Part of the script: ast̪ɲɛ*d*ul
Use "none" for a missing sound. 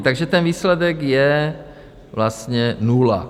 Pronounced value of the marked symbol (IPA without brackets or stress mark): n